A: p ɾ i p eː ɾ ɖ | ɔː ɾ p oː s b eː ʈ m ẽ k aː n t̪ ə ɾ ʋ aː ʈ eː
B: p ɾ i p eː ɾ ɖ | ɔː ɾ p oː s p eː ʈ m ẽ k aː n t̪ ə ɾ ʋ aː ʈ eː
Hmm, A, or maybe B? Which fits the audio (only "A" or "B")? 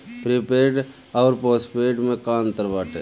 B